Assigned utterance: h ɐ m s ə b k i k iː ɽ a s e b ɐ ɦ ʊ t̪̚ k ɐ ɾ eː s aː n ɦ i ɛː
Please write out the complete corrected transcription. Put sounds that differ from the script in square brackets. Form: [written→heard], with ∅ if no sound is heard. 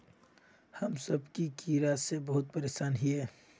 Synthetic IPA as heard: h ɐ m s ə b k i k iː [ɽ→ɾ] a s e b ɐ ɦ ʊ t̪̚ [k→p] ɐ ɾ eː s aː n ɦ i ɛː